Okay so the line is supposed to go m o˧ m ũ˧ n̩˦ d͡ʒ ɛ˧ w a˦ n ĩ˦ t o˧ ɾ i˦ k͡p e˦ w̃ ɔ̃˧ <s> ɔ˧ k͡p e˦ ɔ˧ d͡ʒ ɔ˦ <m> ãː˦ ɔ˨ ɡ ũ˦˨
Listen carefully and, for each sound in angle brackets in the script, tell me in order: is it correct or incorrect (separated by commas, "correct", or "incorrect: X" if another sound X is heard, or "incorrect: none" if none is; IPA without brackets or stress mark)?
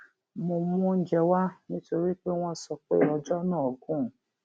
correct, incorrect: n